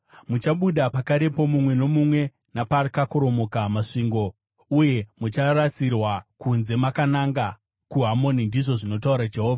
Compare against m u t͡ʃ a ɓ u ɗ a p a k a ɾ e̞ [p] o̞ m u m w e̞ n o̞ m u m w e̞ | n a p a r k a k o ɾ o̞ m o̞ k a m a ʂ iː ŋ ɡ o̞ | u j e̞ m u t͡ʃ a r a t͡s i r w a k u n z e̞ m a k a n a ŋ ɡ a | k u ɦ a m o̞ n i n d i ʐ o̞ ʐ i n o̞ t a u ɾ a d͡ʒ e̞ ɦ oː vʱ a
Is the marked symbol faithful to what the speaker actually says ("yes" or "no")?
yes